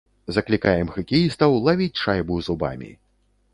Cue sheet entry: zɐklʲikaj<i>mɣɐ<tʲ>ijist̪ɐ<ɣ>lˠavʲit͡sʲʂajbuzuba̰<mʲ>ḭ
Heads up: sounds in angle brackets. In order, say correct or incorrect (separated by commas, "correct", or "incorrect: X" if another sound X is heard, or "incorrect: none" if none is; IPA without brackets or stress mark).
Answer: incorrect: ɛ, incorrect: kʲ, incorrect: w, correct